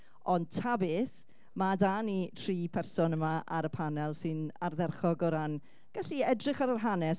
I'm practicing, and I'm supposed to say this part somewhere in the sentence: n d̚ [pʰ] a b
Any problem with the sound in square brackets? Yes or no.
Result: yes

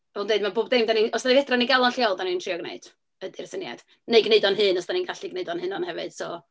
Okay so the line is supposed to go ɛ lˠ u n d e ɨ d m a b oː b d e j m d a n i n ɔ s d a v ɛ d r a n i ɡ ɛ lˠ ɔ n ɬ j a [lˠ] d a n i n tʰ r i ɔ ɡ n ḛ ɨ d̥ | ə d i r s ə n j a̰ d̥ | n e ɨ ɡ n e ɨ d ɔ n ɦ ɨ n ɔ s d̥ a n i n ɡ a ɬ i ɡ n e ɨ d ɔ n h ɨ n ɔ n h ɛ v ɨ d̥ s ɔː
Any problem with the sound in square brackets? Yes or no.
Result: no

